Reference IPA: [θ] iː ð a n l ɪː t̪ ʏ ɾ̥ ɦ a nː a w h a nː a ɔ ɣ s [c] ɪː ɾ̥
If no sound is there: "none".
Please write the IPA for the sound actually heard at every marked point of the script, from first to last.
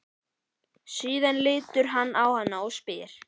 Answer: s, p

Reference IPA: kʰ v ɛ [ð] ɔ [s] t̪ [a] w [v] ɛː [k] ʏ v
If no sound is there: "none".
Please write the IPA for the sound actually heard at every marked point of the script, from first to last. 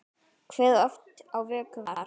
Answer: ð, f, a, v, k

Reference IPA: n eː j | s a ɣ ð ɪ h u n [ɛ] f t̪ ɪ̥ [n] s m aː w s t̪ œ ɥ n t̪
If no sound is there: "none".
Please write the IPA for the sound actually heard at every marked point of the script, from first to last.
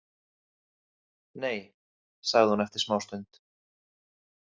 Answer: ɛ, none

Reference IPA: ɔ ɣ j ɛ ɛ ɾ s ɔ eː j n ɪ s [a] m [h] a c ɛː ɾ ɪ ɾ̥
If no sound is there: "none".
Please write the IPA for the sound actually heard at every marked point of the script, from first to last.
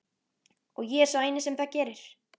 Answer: ɛ, θ

